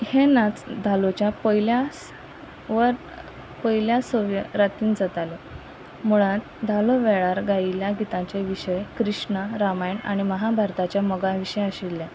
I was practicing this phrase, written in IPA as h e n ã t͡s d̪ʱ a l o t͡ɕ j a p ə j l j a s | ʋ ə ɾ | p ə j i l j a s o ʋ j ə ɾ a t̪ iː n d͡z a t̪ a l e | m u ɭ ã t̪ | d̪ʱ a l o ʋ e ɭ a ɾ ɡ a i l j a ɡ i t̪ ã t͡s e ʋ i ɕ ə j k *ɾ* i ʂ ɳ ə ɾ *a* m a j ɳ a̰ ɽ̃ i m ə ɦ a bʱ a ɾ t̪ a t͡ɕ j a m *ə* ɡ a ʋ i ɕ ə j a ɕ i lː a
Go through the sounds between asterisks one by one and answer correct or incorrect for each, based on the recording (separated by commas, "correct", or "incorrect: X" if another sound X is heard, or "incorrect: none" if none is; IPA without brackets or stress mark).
correct, correct, correct